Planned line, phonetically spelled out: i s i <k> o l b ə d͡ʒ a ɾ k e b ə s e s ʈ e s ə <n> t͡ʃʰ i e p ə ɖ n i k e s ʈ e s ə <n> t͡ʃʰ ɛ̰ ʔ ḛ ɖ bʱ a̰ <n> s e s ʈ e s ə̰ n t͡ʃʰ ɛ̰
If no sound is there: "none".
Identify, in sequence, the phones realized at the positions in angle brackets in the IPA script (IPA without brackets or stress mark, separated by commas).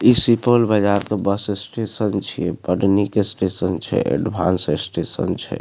p, n, n, n